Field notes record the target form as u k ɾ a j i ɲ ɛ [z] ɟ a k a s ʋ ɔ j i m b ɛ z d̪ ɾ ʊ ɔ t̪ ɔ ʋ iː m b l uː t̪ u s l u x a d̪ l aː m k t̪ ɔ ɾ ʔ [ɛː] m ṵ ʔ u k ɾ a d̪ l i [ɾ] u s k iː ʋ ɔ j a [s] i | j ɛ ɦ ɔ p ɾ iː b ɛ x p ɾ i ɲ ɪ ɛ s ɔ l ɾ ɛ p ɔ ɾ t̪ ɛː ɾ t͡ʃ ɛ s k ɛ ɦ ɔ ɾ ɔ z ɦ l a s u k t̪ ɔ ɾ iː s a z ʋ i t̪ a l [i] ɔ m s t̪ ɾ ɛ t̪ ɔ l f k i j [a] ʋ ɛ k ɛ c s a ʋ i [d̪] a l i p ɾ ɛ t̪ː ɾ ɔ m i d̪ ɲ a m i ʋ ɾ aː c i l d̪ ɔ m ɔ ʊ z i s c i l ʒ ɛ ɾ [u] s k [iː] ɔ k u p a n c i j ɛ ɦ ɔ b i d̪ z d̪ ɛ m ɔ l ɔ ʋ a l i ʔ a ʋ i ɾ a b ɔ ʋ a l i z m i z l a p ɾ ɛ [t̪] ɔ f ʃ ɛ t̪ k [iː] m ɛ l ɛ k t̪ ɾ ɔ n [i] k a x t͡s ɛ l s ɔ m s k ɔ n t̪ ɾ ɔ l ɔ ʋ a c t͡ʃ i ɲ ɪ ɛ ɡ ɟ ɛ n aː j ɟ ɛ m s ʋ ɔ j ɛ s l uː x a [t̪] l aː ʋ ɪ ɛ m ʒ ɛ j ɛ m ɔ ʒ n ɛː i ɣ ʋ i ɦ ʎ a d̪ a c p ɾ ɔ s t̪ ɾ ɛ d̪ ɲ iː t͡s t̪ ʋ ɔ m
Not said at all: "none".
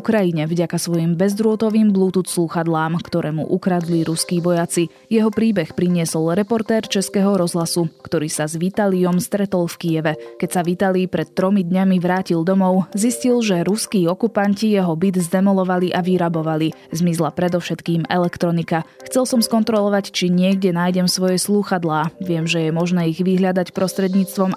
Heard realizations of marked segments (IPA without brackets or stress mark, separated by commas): v, ɛː, ɾ, t͡s, i, ɛ, t̪, u, iː, d̪, iː, i, d̪